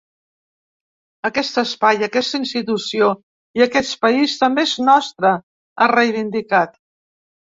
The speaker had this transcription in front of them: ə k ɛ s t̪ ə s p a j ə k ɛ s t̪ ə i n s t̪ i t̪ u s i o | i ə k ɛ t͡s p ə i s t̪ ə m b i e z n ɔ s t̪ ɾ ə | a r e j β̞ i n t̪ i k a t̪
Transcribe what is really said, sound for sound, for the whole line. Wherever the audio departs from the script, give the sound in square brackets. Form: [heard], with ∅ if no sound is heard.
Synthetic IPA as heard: ə k ɛ s t̪ ə s p a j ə k ɛ s t̪ ə i n s t̪ i t̪ u s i o | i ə k ɛ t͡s p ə i s t̪ ə m b [e] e z n ɔ s t̪ ɾ ə | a r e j β̞ i n [d̪] i k a t̪